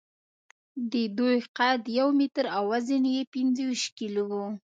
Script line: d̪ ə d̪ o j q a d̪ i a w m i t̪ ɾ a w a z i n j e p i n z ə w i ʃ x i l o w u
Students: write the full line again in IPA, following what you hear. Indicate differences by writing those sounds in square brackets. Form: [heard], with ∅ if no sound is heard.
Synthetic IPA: d̪ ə d̪ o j q a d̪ [j] a w m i t̪ ɾ a w a z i n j e p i n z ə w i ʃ [k] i l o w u

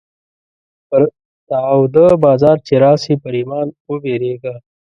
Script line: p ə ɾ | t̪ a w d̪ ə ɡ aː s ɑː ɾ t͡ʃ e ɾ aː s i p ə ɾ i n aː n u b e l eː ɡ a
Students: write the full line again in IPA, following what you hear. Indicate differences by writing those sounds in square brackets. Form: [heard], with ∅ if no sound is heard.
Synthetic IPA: p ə ɾ | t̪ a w d̪ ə [b] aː [z] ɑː ɾ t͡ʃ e ɾ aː s i p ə ɾ i [m] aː n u b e [ɾ] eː ɡ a

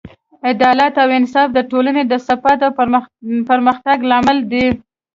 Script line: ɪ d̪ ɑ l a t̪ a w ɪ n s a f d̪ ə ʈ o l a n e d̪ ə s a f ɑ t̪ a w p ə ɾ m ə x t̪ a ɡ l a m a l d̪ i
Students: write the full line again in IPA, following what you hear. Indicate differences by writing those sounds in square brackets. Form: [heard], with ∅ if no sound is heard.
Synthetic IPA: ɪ d̪ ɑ l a t̪ a w ɪ n s [ɑ] f d̪ ə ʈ o l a n e d̪ ə s a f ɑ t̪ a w p ə ɾ m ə x t̪ a ɡ l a m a l d̪ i

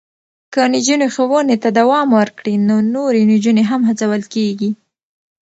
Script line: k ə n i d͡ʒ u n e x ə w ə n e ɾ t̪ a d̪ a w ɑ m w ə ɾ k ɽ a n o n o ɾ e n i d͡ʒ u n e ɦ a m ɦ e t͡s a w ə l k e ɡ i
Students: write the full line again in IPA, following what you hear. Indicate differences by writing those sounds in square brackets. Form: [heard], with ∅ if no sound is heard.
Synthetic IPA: k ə n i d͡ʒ u n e x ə w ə n e [∅] t̪ a d̪ a w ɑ m w ə ɾ k ɽ [i] n o n o ɾ e n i d͡ʒ u n e ɦ a m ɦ [a] t͡s a w ə l k e ɡ i

